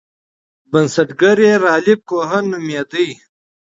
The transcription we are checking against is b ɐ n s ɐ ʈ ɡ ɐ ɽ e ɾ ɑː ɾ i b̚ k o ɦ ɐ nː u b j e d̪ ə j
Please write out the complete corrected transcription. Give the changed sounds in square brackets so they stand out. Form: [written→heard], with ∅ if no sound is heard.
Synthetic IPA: b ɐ n s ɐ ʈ ɡ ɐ [ɽ→ɾ] e ɾ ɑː [ɾ→l] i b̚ k o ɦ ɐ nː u [b→m] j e d̪ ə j